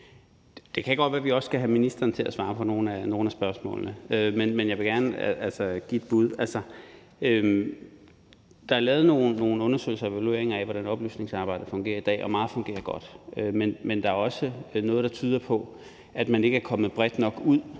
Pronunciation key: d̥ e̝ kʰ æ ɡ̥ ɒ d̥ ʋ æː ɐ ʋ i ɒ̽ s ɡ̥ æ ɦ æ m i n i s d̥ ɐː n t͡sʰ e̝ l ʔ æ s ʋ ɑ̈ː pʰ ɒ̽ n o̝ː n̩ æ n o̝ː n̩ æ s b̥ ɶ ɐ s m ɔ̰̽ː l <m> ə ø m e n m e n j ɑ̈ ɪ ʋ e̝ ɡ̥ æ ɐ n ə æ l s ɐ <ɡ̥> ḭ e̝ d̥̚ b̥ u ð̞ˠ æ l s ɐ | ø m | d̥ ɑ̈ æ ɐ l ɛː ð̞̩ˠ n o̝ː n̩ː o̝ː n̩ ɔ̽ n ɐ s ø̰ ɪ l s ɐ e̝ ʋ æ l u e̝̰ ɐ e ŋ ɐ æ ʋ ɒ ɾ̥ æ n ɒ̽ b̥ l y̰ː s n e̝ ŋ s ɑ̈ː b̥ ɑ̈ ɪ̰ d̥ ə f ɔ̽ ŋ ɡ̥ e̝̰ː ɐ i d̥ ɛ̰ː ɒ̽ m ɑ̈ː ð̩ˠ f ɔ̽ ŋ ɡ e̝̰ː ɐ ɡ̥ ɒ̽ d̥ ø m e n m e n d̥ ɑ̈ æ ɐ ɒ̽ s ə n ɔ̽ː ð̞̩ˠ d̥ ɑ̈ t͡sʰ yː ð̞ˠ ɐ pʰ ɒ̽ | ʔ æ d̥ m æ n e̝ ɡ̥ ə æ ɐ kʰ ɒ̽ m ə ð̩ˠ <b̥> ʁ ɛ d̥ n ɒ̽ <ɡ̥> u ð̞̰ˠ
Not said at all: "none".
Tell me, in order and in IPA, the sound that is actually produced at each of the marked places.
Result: n, ɡ̥, b̥, ɡ̥

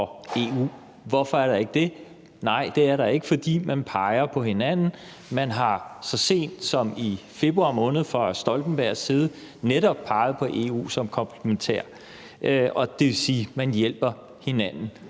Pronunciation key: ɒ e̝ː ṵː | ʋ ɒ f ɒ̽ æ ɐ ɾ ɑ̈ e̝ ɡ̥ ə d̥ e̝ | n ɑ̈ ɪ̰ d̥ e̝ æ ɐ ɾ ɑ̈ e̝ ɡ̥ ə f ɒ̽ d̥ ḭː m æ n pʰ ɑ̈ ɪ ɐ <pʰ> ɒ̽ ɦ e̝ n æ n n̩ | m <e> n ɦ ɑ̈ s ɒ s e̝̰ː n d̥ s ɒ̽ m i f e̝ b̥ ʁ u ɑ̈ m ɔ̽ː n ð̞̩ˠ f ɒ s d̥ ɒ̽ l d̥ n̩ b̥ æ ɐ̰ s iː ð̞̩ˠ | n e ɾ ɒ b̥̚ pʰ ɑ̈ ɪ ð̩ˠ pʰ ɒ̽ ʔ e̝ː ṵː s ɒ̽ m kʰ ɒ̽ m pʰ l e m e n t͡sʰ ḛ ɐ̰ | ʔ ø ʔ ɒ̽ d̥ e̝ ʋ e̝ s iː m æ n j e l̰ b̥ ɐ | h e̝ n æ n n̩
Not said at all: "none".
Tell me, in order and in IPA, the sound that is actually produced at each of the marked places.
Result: pʰ, æ

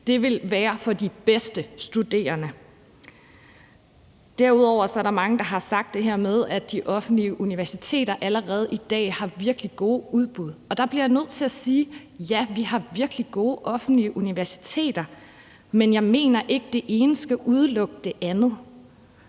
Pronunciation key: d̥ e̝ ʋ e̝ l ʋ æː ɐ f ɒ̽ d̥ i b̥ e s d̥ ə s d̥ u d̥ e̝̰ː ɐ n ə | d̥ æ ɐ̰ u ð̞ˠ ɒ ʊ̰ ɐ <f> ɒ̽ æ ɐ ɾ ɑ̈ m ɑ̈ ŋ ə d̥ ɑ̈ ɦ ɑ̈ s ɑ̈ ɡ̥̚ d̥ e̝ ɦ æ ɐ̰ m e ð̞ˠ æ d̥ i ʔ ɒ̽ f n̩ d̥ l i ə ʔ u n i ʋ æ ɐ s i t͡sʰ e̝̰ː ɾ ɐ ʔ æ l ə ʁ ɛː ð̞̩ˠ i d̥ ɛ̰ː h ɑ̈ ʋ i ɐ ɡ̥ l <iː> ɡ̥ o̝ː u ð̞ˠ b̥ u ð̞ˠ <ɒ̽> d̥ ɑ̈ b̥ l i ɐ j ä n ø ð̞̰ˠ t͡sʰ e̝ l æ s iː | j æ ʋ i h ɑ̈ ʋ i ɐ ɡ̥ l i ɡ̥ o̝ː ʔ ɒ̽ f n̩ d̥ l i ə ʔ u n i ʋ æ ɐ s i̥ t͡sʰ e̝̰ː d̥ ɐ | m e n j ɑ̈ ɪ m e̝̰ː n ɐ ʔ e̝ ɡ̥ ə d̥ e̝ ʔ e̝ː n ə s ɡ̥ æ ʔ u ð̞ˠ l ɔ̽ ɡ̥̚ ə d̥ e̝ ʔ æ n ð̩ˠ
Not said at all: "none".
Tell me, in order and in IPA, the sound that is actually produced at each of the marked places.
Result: s, i, ɒ̽

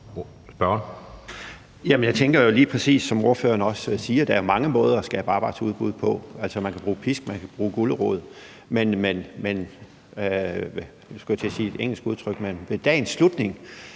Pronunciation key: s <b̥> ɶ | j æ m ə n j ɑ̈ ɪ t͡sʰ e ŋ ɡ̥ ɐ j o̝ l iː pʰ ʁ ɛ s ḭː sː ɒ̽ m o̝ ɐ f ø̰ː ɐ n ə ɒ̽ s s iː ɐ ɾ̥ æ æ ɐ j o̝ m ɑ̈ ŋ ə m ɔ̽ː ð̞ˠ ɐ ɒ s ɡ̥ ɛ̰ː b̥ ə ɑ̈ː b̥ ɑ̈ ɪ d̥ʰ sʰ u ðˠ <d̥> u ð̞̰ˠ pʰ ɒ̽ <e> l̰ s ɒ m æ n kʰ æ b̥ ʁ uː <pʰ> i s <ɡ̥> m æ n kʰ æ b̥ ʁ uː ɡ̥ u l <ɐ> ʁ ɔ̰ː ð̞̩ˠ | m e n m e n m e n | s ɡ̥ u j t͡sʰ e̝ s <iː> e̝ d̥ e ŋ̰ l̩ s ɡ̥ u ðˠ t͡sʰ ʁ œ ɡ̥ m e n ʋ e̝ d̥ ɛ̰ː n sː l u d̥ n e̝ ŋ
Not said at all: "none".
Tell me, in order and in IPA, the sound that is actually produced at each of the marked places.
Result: b̥, b̥, æ, pʰ, ɡ̥, ə, iː

